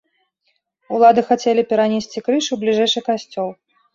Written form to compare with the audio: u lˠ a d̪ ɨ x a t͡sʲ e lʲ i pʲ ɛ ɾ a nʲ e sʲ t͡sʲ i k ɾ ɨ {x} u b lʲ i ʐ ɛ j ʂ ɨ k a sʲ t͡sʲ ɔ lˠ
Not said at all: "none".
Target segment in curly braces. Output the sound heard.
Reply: ʂ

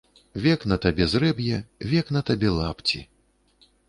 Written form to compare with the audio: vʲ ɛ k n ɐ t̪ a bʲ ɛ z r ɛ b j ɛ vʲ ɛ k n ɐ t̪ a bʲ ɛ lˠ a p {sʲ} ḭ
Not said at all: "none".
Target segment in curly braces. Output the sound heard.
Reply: t͡sʲ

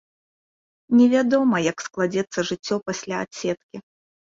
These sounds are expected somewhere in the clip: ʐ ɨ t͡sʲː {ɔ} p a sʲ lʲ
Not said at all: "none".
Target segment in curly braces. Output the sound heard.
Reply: ɔ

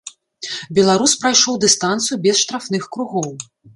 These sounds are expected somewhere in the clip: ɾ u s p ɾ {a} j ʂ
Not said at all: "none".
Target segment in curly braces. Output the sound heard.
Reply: a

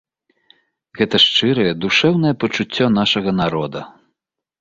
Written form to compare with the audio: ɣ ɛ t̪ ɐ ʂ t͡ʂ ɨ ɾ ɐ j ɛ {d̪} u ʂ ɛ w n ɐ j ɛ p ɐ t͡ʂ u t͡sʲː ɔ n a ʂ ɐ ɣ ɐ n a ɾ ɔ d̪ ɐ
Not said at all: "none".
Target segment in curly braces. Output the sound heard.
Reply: d̪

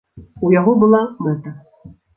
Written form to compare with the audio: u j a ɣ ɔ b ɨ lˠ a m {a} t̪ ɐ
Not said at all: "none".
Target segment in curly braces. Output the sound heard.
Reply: ɛ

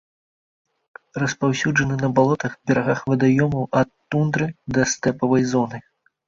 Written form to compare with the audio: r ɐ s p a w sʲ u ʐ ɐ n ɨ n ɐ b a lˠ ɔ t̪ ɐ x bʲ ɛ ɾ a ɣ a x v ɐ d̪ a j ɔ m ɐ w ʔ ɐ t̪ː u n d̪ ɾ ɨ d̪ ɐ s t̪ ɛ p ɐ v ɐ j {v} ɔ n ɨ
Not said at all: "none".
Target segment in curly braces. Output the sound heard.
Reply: z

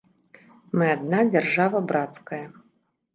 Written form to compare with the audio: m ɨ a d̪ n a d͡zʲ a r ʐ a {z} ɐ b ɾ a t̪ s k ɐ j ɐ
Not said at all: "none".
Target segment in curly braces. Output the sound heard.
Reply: v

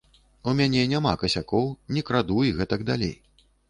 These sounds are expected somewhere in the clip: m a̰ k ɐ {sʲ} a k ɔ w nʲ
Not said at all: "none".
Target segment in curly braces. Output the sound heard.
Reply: sʲ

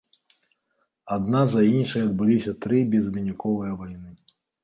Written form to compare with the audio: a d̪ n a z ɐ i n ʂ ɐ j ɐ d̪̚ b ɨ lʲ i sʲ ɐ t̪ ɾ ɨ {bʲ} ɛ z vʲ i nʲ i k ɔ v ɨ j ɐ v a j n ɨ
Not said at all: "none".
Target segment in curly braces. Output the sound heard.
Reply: bʲ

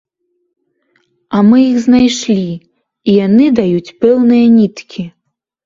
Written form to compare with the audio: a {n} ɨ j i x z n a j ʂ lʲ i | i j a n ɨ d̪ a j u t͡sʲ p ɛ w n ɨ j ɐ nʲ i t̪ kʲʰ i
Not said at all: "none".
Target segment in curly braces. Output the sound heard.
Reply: m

